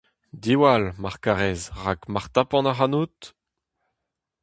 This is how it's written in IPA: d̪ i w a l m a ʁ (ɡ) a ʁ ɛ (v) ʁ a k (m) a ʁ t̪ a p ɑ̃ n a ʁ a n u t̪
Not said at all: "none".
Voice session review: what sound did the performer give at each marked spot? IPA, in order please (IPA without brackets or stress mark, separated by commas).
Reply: k, z, m